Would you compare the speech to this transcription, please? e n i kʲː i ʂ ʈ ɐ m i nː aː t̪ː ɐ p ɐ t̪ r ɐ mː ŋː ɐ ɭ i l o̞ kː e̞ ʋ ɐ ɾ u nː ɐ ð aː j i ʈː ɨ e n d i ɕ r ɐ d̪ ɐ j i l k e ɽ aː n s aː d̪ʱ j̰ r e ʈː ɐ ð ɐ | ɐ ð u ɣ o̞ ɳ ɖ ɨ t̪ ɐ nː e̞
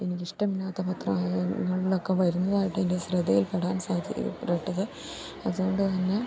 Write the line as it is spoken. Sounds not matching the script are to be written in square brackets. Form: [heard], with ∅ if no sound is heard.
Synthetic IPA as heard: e n i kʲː i ʂ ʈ ɐ m i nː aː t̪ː ɐ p ɐ t̪ r ɐ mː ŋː ɐ ɭ i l o̞ kː e̞ ʋ ɐ ɾ u nː ɐ ð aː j i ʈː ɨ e n d [e] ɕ r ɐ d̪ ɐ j i l [p] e ɽ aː n s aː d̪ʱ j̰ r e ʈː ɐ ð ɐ | ɐ ð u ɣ o̞ ɳ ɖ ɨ t̪ ɐ nː e̞